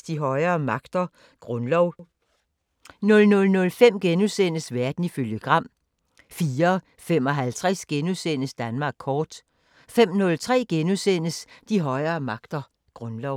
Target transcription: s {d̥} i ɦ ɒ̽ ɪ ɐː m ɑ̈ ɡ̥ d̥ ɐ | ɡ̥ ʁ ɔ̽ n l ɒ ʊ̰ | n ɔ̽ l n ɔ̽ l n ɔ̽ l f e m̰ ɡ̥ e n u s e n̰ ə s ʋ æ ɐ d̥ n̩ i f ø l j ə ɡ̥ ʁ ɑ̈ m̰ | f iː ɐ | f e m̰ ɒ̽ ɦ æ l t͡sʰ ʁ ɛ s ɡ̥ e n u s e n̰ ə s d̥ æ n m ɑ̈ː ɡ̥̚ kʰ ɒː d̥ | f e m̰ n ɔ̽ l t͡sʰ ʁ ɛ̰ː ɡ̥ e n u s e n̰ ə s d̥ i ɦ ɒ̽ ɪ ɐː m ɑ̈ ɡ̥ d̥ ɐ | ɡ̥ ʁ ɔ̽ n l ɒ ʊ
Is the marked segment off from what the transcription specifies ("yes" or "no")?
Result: no